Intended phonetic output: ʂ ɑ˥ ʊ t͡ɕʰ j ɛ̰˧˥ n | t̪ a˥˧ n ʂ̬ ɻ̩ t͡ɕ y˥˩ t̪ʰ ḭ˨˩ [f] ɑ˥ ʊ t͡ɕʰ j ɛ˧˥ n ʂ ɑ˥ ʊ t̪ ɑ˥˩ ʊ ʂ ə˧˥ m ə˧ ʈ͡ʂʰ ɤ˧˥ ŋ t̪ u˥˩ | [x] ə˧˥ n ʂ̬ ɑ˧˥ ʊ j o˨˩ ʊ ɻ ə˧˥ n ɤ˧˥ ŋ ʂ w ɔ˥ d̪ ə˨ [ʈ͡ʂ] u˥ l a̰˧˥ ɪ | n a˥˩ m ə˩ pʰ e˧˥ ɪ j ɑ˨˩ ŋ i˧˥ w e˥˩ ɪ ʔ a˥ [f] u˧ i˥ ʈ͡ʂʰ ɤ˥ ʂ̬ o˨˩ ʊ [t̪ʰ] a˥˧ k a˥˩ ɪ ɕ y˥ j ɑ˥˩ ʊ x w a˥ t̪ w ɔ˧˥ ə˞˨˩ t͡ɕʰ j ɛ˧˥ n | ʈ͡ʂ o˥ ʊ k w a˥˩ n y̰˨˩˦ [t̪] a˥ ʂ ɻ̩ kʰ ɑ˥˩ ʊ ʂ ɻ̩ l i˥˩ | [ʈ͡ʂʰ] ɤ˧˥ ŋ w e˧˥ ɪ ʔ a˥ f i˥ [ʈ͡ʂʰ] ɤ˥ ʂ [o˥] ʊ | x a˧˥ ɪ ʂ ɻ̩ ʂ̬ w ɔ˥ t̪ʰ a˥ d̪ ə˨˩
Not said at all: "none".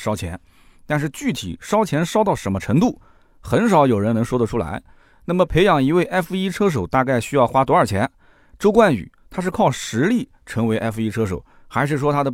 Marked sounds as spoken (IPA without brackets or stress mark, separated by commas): ʂ, x, ʈ͡ʂʰ, f, t̪, t̪ʰ, ʈ͡ʂʰ, ʈ͡ʂʰ, o˨˩˦